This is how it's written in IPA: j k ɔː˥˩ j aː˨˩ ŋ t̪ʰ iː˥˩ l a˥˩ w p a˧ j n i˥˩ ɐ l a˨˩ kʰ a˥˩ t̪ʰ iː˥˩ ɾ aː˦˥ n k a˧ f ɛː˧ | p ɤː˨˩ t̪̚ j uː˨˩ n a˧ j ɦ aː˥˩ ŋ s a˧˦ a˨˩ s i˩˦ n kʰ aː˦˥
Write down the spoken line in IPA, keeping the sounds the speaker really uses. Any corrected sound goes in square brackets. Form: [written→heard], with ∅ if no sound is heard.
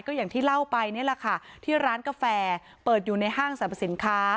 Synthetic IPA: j k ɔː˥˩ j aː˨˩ ŋ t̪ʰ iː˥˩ l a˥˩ w p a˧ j n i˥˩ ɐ l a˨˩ kʰ a˥˩ t̪ʰ iː˥˩ ɾ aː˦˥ n k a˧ f ɛː˧ | p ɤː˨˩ t̪̚ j uː˨˩ n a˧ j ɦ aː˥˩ ŋ s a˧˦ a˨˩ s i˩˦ n kʰ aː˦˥